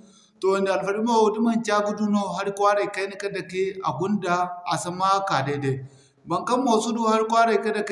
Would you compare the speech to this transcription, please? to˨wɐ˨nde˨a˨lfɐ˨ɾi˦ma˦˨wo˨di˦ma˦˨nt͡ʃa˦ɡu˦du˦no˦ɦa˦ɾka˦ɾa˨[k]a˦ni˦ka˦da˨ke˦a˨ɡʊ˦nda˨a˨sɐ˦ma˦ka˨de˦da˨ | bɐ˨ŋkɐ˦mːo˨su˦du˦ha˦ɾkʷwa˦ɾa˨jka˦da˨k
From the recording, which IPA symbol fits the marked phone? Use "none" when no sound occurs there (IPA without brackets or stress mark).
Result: k